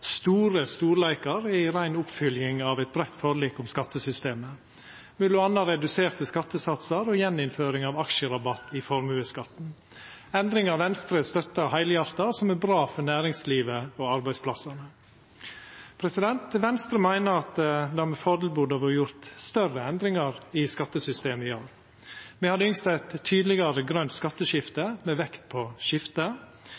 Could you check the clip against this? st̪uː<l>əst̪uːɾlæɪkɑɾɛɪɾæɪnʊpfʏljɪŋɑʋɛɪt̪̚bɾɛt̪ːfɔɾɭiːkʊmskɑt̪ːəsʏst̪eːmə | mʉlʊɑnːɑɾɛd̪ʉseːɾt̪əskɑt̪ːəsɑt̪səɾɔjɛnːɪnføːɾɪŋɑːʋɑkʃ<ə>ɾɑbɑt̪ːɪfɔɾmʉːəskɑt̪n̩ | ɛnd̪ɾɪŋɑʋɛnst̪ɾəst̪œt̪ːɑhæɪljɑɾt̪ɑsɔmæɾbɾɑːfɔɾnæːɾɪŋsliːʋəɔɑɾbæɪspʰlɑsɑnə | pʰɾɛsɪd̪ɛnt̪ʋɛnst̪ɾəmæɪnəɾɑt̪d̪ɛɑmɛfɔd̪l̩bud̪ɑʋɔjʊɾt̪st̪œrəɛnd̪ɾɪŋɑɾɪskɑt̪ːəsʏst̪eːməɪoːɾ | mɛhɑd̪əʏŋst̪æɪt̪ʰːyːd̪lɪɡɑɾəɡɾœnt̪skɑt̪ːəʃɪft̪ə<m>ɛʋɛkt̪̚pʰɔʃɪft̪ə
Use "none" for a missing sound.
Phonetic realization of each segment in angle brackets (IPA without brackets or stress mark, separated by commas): ɾ, ə, m